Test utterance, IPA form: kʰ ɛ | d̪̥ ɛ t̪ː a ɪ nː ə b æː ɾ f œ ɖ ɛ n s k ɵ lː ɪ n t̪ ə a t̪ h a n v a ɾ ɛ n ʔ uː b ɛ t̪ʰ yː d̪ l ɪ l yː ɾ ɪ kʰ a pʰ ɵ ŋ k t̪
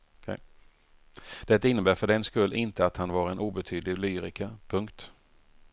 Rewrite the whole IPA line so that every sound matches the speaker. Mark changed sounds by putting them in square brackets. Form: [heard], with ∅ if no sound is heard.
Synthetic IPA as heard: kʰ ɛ | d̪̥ ɛ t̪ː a ɪ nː ə b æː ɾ f œ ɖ ɛ n s k ɵ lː ɪ n t̪ ə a t̪ h a n v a ɾ ɛ n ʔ uː b ɛ t̪ʰ yː d̪ l ɪ l yː ɾ ɪ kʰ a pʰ ɵ ŋ k t̪